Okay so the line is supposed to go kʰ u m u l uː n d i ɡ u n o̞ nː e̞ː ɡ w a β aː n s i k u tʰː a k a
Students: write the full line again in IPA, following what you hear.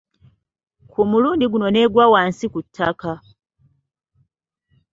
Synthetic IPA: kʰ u m u l uː n d i ɡ u n o̞ n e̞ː ɡ w a w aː n s i k u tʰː a k a